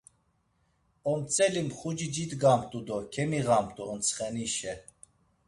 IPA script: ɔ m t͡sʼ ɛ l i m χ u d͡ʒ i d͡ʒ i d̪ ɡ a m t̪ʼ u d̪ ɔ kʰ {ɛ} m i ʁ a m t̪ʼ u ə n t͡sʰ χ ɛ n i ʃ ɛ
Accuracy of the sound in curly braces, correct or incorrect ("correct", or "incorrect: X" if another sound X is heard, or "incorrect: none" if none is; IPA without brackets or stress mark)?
correct